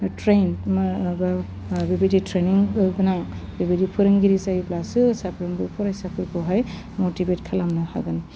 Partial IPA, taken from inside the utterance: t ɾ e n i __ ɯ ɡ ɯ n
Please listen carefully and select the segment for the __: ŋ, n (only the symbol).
ŋ